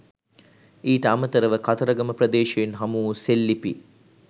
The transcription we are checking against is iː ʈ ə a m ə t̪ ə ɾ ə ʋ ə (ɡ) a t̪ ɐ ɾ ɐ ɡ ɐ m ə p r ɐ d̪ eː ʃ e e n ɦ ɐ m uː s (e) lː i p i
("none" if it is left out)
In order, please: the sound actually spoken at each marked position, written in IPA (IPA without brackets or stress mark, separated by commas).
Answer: k, e